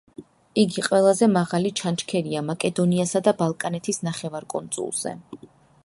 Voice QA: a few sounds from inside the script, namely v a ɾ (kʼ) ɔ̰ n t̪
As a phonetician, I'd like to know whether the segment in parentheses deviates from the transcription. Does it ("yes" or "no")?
no